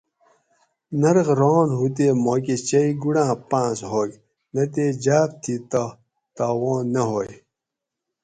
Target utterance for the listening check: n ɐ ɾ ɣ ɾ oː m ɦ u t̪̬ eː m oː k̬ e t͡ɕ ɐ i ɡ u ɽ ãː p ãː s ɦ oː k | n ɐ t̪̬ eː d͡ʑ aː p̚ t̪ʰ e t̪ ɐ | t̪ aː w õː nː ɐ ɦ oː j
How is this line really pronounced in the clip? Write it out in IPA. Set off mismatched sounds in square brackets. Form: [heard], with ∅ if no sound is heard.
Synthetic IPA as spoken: n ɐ ɾ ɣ ɾ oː [n] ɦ u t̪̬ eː m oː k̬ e t͡ɕ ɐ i ɡ u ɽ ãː p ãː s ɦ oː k | n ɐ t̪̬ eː d͡ʑ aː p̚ t̪ʰ [i] t̪ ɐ | t̪ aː w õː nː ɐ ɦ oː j